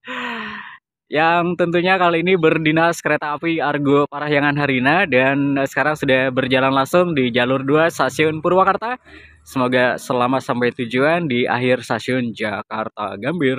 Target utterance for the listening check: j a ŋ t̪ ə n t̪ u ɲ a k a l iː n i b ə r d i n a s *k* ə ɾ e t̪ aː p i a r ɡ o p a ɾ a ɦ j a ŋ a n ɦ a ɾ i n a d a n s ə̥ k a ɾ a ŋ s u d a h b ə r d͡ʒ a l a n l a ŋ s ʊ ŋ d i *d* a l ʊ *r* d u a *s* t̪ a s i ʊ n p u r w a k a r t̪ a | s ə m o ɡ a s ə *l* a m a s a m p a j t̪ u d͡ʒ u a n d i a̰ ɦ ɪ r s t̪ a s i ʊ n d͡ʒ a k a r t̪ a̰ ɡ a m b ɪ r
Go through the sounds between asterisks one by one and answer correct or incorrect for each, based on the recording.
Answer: correct, incorrect: d͡ʒ, correct, correct, correct

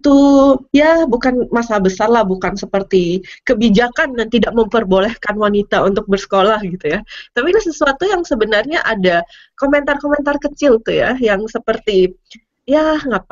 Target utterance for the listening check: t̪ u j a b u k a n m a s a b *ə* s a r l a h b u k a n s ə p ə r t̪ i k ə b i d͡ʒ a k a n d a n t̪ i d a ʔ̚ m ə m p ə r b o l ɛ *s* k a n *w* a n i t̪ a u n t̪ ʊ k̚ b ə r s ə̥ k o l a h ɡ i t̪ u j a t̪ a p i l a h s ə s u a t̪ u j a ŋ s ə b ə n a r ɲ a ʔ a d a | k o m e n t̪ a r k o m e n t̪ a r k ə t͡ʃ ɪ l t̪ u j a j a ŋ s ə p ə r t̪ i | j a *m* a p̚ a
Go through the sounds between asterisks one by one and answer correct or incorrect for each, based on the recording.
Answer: correct, incorrect: h, correct, incorrect: ŋ

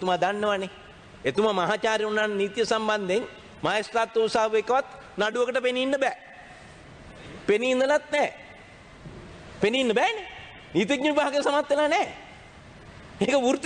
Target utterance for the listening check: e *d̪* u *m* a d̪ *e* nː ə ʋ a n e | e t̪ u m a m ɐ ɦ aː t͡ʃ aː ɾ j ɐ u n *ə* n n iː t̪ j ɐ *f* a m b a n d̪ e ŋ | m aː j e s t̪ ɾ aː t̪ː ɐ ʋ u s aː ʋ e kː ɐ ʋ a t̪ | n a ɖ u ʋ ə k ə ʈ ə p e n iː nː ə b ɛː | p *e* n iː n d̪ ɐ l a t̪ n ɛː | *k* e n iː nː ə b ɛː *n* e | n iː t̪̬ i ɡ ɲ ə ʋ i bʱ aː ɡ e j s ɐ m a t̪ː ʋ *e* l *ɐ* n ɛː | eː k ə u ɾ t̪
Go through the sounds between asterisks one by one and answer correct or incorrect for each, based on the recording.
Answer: incorrect: t̪, correct, incorrect: a, incorrect: a, incorrect: s, correct, incorrect: p, correct, correct, incorrect: a

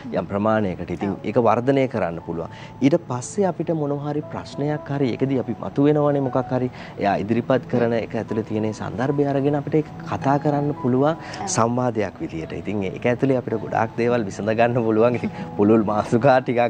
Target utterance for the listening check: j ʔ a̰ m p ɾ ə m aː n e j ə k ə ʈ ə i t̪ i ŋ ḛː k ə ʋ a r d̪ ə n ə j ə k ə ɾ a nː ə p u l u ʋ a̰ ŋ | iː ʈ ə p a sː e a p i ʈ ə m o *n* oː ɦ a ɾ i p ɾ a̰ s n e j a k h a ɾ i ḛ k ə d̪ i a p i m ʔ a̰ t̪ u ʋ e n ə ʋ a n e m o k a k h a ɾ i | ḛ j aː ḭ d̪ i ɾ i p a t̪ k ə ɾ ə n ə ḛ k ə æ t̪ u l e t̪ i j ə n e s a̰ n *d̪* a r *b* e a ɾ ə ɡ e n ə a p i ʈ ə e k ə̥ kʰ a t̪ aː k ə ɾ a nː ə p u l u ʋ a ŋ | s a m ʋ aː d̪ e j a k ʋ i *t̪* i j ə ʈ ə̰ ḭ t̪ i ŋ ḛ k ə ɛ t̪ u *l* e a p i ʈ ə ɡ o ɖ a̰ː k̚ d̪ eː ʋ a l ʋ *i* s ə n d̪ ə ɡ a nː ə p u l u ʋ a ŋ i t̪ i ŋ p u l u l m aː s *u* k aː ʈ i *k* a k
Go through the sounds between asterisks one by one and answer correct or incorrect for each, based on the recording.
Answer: correct, correct, correct, incorrect: d̪, correct, correct, correct, correct

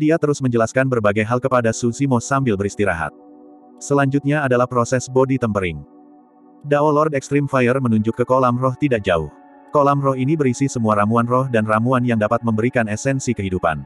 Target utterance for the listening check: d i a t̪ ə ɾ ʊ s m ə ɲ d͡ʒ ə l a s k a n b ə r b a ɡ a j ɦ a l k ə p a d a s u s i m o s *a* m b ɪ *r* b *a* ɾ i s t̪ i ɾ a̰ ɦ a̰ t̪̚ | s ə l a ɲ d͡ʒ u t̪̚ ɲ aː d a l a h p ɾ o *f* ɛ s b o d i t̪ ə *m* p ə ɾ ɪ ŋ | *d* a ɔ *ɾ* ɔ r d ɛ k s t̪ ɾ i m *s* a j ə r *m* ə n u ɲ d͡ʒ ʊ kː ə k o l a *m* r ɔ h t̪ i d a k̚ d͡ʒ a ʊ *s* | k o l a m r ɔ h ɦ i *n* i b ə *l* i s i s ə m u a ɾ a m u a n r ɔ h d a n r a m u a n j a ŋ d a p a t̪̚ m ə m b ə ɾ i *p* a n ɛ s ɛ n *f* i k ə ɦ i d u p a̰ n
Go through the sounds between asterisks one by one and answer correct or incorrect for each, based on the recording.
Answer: correct, incorrect: l, incorrect: ə, incorrect: s, correct, correct, incorrect: l, incorrect: f, correct, correct, incorrect: h, correct, incorrect: ɾ, incorrect: k, incorrect: s

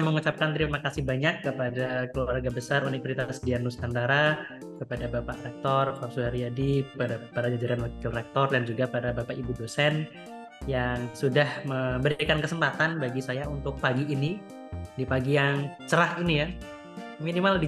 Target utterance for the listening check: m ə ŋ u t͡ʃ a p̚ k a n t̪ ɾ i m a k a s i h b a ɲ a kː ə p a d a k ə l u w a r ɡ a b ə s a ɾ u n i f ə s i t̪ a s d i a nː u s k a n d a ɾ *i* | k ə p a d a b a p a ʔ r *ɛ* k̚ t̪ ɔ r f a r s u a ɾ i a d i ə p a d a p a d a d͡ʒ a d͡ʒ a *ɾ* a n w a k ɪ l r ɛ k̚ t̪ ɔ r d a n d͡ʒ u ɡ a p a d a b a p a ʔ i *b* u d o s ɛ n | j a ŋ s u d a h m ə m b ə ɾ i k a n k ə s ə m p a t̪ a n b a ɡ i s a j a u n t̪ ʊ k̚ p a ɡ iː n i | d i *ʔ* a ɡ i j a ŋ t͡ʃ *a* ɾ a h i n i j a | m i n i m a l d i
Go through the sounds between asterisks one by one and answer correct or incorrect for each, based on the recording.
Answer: incorrect: a, correct, correct, correct, incorrect: p, incorrect: ə

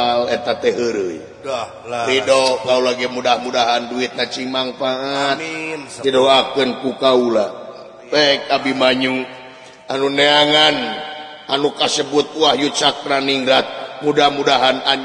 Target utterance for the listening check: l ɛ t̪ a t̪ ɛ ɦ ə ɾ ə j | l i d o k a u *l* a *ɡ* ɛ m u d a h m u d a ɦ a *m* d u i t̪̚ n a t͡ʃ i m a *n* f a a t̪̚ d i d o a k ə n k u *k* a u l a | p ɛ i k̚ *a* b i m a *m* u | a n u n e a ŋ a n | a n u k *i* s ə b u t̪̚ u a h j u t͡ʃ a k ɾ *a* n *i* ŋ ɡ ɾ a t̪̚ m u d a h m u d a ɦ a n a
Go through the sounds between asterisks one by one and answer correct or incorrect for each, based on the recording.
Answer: correct, correct, incorrect: n, incorrect: ŋ, correct, correct, incorrect: ɲ, incorrect: a, correct, correct

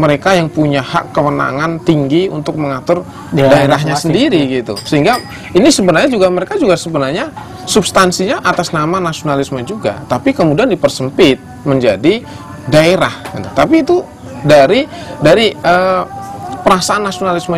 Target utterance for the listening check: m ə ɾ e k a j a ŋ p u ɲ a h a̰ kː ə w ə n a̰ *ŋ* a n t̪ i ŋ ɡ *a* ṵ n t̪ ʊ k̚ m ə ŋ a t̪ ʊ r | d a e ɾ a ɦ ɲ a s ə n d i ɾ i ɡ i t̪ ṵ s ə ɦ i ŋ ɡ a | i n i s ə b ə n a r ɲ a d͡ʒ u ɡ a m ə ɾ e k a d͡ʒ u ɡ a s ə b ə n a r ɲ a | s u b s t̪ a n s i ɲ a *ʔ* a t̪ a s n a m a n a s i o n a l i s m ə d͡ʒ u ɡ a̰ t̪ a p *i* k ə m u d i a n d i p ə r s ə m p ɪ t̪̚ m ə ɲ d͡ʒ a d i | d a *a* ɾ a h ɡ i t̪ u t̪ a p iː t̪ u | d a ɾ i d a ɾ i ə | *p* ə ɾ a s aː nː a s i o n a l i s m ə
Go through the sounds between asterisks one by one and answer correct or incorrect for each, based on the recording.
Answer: correct, incorrect: i, correct, correct, incorrect: e, correct

